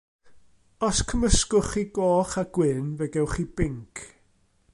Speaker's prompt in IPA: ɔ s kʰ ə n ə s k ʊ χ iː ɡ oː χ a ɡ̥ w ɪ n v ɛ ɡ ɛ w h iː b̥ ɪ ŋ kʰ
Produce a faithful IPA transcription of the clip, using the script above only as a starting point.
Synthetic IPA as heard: ɔ s kʰ ə m ə s k ʊ χ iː ɡ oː χ a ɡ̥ w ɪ n v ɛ ɡ ɛ w χ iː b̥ ɪ ŋ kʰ